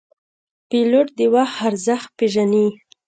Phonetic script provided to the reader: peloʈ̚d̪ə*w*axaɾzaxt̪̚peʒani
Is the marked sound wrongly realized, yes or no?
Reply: no